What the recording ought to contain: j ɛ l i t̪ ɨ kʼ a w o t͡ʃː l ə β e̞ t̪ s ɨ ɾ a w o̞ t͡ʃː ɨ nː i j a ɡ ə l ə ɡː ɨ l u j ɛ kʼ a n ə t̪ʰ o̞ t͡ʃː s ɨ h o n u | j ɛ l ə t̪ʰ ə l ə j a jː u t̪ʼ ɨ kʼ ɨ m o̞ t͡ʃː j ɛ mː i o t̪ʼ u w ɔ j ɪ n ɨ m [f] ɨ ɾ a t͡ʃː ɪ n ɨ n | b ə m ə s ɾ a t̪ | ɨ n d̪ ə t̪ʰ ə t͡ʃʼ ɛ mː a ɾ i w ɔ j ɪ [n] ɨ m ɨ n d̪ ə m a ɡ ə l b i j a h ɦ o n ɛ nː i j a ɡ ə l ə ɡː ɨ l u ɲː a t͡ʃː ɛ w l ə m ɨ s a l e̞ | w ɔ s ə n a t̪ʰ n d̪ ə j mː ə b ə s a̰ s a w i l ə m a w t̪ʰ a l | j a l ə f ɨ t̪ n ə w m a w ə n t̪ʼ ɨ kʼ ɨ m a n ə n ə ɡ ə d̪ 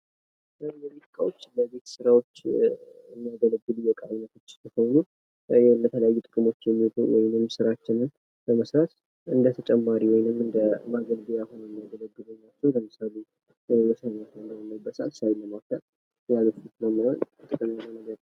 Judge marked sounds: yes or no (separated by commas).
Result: no, yes